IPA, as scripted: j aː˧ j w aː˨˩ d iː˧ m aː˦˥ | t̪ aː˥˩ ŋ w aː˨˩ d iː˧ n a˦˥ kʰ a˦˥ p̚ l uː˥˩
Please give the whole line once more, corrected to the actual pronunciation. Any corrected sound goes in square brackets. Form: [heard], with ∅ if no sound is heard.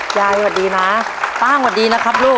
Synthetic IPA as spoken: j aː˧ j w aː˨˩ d iː˧ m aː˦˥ | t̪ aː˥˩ ŋ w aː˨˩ d iː˧ n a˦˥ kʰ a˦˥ p̚ l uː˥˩